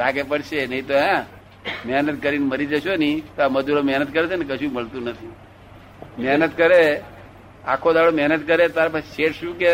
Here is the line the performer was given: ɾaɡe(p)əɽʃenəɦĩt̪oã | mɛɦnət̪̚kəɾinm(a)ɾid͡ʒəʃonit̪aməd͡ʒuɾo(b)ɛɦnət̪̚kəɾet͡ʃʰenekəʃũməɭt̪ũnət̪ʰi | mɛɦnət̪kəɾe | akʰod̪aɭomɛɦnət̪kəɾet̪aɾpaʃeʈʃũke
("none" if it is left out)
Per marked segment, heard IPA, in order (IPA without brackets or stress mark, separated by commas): p, ə, m